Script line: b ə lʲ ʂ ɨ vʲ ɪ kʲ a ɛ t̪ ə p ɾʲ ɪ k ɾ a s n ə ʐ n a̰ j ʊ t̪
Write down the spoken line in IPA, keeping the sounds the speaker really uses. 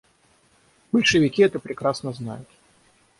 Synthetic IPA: b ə lʲ ʂ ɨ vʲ ɪ kʲ i ɛ t̪ ə p ɾʲ ɪ k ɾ a s n ə z n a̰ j ʊ t̪